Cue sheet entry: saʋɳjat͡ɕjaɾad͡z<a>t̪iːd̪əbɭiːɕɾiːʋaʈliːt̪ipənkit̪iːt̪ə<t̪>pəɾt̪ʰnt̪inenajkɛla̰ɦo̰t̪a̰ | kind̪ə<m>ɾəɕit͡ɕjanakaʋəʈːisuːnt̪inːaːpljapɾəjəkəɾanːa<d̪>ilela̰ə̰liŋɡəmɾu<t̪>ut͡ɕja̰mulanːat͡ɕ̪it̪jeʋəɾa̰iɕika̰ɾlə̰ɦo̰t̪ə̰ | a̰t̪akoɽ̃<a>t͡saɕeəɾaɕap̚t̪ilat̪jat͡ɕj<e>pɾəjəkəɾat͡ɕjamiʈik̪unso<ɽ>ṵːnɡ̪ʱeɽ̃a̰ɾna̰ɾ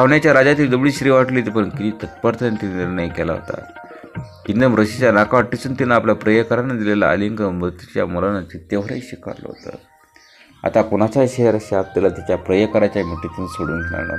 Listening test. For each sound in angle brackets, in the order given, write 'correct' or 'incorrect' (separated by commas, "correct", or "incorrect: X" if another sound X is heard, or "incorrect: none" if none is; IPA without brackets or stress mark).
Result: correct, correct, correct, correct, correct, correct, incorrect: a, correct